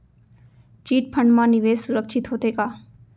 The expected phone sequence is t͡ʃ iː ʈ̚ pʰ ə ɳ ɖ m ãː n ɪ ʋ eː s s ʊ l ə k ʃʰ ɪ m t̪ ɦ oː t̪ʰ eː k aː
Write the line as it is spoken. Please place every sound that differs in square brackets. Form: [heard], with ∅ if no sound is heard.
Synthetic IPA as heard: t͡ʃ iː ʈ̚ pʰ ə ɳ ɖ m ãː n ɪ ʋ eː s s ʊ [ɾ] ə k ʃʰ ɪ [∅] t̪ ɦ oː [t̪] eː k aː